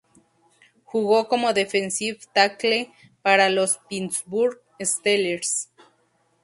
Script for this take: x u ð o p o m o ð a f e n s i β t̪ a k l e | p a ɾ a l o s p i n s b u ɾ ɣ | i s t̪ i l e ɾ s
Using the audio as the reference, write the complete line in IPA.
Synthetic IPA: x u ɣ o k o m o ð e f e n s i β t̪ a k l e | p a ɾ a l o s p i n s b u ɾ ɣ | e s t̪ e l e ɾ s